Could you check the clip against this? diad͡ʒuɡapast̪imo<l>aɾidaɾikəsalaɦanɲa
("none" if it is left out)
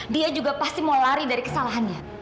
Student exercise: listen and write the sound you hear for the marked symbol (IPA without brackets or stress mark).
l